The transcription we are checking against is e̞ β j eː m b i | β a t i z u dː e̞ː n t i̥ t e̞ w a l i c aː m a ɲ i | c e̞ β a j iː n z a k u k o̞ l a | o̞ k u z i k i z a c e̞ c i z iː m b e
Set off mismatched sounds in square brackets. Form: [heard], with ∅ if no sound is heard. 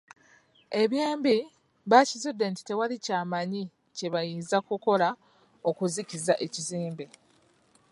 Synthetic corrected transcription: e̞ β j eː m b i | β a [c] i z u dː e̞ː n t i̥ t e̞ w a l i c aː m a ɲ i | c e̞ β a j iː n z a k u k o̞ l a | o̞ k u z i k i z a [ʔ] e̞ c i z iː m b e